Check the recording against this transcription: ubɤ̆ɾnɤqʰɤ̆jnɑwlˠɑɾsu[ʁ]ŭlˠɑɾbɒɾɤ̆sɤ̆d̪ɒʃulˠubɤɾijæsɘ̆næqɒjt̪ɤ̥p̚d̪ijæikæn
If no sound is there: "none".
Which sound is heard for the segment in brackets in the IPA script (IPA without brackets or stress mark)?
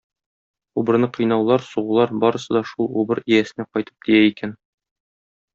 ʁ